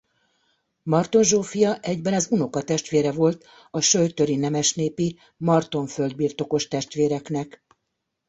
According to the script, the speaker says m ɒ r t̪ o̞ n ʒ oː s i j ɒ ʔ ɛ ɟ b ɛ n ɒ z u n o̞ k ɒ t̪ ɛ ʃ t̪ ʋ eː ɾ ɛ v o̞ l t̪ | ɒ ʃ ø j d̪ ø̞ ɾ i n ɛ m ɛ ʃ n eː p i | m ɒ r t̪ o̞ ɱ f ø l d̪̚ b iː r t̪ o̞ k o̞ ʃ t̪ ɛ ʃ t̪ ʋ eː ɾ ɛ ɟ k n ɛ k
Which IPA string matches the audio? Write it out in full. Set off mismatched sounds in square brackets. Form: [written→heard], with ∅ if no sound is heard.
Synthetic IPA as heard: m ɒ r t̪ o̞ n ʒ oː [s→f] i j ɒ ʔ ɛ ɟ b ɛ n ɒ z u n o̞ k ɒ t̪ ɛ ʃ t̪ ʋ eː ɾ ɛ v o̞ l t̪ | ɒ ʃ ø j [d̪→t̪] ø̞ ɾ i n ɛ m ɛ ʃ n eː p i | m ɒ r t̪ o̞ ɱ f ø l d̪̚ b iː r t̪ o̞ k o̞ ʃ t̪ ɛ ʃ t̪ ʋ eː ɾ ɛ [ɟ→∅] k n ɛ k

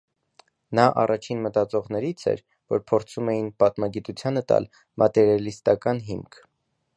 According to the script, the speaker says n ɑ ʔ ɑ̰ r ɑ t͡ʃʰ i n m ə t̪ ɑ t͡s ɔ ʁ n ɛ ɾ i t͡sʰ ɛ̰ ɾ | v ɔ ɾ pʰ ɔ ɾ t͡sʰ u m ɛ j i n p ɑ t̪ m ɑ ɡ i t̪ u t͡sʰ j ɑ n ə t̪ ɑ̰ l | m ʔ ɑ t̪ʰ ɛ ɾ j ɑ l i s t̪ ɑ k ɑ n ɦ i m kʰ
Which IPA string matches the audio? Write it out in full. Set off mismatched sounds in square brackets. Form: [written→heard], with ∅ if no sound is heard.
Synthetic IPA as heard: n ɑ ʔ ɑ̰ r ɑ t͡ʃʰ i n m ə t̪ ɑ t͡s ɔ ʁ n ɛ ɾ i t͡sʰ ɛ̰ ɾ | v ɔ ɾ pʰ ɔ ɾ t͡sʰ u m ɛ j i n p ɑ t̪ m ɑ ɡ i t̪ u t͡sʰ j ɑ n ə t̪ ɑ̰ l | m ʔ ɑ [t̪ʰ→t̪] ɛ ɾ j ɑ l i s t̪ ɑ k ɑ n ɦ i m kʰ

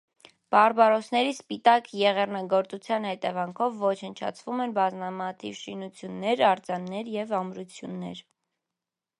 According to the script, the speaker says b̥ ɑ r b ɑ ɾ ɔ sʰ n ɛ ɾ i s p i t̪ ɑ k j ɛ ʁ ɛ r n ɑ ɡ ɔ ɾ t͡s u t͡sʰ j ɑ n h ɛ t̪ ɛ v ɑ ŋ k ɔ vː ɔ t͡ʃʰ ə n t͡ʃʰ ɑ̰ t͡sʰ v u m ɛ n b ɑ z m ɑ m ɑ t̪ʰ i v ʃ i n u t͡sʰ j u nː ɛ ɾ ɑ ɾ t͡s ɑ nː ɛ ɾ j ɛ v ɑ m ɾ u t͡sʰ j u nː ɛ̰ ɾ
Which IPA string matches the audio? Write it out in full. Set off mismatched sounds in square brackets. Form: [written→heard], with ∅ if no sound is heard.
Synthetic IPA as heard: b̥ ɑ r b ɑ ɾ ɔ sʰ n ɛ ɾ i s p i t̪ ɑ k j ɛ ʁ ɛ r n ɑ ɡ ɔ ɾ t͡s u t͡sʰ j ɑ n h ɛ t̪ ɛ v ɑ ŋ [k→kʰ] ɔ vː ɔ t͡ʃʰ ə n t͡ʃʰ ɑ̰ t͡sʰ v u m ɛ n b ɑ z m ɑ m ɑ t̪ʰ i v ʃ i n u t͡sʰ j u nː ɛ ɾ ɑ ɾ t͡s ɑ nː ɛ ɾ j ɛ v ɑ m ɾ u t͡sʰ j u nː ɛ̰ ɾ

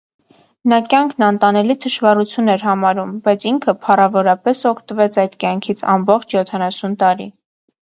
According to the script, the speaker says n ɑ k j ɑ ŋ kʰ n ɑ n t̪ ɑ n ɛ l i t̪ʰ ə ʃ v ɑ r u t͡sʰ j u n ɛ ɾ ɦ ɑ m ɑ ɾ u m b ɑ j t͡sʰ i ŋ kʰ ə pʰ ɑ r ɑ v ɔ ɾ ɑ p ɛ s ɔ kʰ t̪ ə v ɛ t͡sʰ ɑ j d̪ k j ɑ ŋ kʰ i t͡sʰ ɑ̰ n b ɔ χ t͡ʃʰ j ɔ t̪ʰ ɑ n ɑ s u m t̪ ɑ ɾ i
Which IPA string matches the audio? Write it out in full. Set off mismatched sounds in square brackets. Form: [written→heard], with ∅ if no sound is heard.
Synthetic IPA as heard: n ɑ k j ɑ ŋ kʰ n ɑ n t̪ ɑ n ɛ l i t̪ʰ ə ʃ v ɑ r u t͡sʰ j u n ɛ ɾ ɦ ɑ m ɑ ɾ u m b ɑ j t͡sʰ i ŋ kʰ ə pʰ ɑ r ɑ v ɔ ɾ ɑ p ɛ s ɔ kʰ t̪ ə v ɛ t͡sʰ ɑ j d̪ k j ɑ ŋ kʰ i t͡sʰ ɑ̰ [n→m] b ɔ χ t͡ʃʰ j ɔ t̪ʰ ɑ n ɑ s u [m→n] t̪ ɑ ɾ i

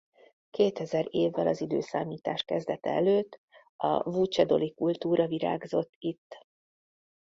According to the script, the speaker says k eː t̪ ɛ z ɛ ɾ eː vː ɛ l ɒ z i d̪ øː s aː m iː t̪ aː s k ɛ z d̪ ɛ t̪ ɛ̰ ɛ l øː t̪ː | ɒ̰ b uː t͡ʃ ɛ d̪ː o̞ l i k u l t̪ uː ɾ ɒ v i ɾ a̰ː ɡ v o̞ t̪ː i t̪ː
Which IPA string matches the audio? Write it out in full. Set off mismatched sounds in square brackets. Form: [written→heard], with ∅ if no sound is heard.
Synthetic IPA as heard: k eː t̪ ɛ z ɛ ɾ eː vː ɛ l ɒ z i d̪ øː s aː m iː t̪ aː [s→ʃ] k ɛ z d̪ ɛ t̪ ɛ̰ ɛ l øː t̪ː | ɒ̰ [b→v] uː t͡ʃ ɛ [d̪ː→d̪] o̞ l i k u l t̪ uː ɾ ɒ v i ɾ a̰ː ɡ [v→z] o̞ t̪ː i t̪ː

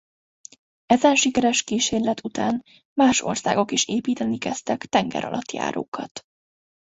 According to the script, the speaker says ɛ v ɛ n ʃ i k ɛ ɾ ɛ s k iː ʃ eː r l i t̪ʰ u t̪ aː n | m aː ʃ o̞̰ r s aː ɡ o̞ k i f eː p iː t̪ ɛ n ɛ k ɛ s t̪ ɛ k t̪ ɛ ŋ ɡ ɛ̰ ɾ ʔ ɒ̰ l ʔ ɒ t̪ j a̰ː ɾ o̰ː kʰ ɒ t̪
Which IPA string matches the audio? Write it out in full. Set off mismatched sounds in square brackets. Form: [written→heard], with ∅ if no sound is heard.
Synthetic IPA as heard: ɛ [v→z] ɛ n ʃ i k ɛ ɾ ɛ [s→ʃ] k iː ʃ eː r l [i→ɛ] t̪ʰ u t̪ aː n | m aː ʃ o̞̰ r s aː ɡ o̞ k i [f→ʃ] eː p iː t̪ ɛ n [ɛ→i] k ɛ s t̪ ɛ k t̪ ɛ ŋ ɡ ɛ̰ ɾ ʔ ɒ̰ l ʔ ɒ t̪ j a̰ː ɾ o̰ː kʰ ɒ t̪

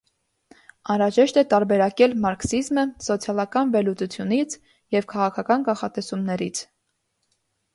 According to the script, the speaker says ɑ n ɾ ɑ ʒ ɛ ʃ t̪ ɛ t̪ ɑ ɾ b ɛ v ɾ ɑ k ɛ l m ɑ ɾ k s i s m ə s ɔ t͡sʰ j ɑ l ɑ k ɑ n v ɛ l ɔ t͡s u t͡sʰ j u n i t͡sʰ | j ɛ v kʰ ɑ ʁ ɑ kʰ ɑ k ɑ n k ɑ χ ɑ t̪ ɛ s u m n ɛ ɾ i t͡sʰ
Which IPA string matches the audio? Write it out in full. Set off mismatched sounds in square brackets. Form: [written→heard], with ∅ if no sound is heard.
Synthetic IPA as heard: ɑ n ɾ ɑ ʒ ɛ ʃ t̪ ɛ t̪ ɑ ɾ b ɛ [v→∅] ɾ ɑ k ɛ l m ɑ ɾ k s i [s→z] m ə s ɔ t͡sʰ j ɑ l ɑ k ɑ n v ɛ l [ɔ→u] t͡s u t͡sʰ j u n i t͡sʰ | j ɛ v kʰ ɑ ʁ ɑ kʰ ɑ k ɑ n k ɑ χ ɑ t̪ ɛ s u m n ɛ ɾ i t͡sʰ

